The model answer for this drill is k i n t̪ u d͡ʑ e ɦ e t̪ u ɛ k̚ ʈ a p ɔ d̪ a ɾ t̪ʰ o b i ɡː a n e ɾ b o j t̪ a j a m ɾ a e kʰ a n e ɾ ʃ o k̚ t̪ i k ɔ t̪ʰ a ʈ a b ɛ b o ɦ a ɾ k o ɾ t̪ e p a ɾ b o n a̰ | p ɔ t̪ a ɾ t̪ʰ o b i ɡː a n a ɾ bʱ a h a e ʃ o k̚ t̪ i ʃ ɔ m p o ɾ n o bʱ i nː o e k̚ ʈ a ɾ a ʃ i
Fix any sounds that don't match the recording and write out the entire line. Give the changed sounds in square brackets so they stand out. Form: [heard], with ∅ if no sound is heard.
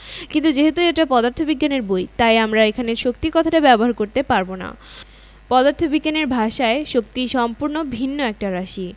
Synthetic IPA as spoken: k i n t̪ u d͡ʑ e ɦ e t̪ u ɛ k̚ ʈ a p ɔ d̪ a ɾ t̪ʰ o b i ɡː a n e ɾ b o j t̪ a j a m ɾ a e kʰ a n e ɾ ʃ o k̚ t̪ i k ɔ t̪ʰ a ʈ a b ɛ b o ɦ a ɾ k o ɾ t̪ e p a ɾ b o n a̰ | p ɔ [d̪] a ɾ t̪ʰ o b i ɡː a n [e] ɾ bʱ a [ʃ] a e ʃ o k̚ t̪ i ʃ ɔ m p [u] ɾ n o bʱ i nː o [ɛ] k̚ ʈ a ɾ a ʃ i

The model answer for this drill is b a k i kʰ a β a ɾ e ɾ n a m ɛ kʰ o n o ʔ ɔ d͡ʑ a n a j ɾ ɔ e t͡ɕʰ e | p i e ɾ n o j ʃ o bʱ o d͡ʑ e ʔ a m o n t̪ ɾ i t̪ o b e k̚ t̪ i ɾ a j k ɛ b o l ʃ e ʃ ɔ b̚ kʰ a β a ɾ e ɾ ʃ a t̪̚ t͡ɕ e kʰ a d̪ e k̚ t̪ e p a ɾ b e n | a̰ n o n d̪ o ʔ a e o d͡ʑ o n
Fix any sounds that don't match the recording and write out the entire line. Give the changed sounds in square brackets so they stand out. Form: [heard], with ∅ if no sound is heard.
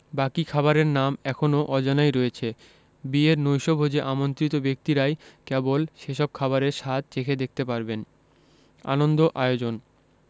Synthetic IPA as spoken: b a k i kʰ a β a ɾ e ɾ n a m ɛ kʰ o n o ʔ ɔ d͡ʑ a n a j ɾ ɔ e t͡ɕʰ e | [b] i e ɾ n o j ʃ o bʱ o d͡ʑ e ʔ a m o n t̪ ɾ i t̪ o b e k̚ t̪ i ɾ a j k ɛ b o l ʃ e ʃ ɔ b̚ kʰ a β a ɾ e ɾ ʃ a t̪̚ t͡ɕ e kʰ [e] d̪ e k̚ t̪ e p a ɾ b e n | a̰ n o n d̪ o ʔ a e o d͡ʑ o n

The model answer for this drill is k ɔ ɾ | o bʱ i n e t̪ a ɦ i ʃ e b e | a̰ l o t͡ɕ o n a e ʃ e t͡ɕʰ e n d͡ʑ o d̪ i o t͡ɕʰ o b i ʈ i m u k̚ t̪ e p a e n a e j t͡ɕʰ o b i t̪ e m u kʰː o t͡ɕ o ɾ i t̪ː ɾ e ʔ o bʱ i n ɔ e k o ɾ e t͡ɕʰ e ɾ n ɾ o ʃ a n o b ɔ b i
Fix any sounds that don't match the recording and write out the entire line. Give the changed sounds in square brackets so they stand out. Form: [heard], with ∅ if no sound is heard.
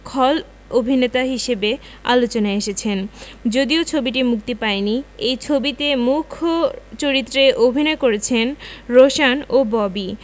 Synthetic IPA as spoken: [kʰ] ɔ [l] | o bʱ i n e t̪ a ɦ i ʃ e b e | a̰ l o t͡ɕ o n a e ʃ e t͡ɕʰ e n d͡ʑ o d̪ i o t͡ɕʰ o b i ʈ i m u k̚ t̪ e p a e n [i] e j t͡ɕʰ o b i t̪ e m u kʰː o t͡ɕ o ɾ i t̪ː ɾ e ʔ o bʱ i n ɔ e k o ɾ e t͡ɕʰ e [∅] n ɾ o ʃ a n o b ɔ b i

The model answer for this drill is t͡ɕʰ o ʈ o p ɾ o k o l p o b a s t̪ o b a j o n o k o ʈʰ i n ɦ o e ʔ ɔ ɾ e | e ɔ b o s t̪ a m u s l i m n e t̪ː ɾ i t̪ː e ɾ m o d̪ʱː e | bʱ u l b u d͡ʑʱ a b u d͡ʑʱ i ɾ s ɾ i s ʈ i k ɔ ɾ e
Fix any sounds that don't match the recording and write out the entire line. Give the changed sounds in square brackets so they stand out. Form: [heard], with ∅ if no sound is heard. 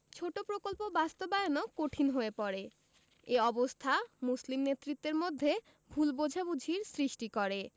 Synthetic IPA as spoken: t͡ɕʰ o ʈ o p ɾ o k o l p o b a s t̪ o b a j o n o k o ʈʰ i n ɦ o e [p] ɔ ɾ e | e ɔ b o s [t̪ʰ] a m u s l i m n e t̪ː ɾ i t̪ː e ɾ m o d̪ʱː e | bʱ u l b [o] d͡ʑʱ a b u d͡ʑʱ i ɾ s ɾ i [ʃ] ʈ i k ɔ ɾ e

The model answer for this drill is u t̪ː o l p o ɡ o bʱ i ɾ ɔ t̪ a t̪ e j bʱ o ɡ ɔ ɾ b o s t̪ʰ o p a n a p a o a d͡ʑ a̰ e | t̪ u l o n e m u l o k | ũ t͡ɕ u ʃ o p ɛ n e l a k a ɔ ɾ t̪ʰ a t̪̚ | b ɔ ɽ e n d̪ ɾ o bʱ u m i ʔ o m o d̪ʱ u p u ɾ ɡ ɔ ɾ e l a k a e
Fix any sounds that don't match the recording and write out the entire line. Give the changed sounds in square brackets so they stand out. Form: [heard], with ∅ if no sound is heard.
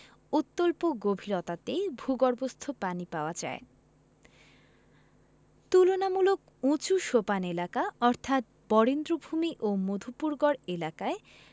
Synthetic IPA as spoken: u t̪ː o l p o ɡ o bʱ i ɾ ɔ t̪ a t̪ e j bʱ [u] ɡ ɔ ɾ b o s t̪ʰ o p a n [i] p a o a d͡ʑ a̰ e | t̪ u l o n [a] m u l o k | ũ t͡ɕ u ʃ o p [a] n e l a k a ɔ ɾ t̪ʰ a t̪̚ | b ɔ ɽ e n d̪ ɾ o bʱ u m i ʔ o m o d̪ʱ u p u ɾ ɡ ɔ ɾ e l a k a e

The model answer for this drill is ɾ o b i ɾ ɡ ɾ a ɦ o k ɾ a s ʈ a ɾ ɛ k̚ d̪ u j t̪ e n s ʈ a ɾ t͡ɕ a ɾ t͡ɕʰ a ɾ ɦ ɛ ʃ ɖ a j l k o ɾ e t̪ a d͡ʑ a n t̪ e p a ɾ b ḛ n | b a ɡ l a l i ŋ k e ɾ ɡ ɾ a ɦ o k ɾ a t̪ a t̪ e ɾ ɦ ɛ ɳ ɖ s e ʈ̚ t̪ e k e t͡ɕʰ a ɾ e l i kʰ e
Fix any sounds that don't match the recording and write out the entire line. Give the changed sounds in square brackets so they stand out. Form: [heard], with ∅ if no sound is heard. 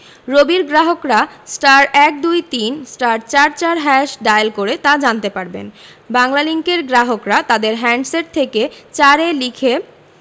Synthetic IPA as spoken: ɾ o b i ɾ ɡ ɾ a ɦ o k ɾ a s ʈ a ɾ ɛ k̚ d̪ u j t̪ [i] n s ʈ a ɾ t͡ɕ a ɾ [t͡ɕ] a ɾ ɦ ɛ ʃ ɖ a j l k o ɾ e t̪ a d͡ʑ a n t̪ e p a ɾ b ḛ n | b a [ŋ] l a l i ŋ k e ɾ ɡ ɾ a ɦ o k ɾ a t̪ a [d̪] e ɾ ɦ ɛ ɳ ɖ s e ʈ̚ [t̪ʰ] e k e [t͡ɕ] a ɾ e l i kʰ e

